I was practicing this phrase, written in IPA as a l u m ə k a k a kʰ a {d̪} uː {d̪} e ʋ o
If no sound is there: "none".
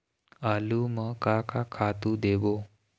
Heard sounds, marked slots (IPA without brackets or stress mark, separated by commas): t̪, d̪